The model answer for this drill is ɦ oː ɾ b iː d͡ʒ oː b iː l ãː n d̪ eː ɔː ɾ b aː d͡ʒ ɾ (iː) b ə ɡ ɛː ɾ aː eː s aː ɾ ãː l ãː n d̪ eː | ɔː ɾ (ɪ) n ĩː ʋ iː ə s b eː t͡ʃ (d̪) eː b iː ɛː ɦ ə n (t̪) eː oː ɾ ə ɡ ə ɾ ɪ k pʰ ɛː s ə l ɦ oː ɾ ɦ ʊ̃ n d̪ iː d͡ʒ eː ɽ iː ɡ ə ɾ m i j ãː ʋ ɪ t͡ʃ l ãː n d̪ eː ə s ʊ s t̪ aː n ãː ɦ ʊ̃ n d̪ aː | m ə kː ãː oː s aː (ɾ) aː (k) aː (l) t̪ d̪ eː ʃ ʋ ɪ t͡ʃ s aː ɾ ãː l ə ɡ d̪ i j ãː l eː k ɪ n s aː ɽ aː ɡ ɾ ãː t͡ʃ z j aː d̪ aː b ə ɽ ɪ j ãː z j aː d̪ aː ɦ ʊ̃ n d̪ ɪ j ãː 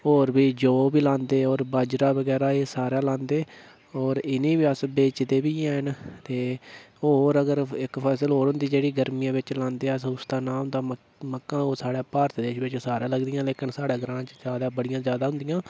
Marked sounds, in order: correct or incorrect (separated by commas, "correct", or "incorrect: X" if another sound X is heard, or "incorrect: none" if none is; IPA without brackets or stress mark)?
incorrect: aː, correct, correct, correct, incorrect: ɽ, incorrect: p, incorrect: ɾ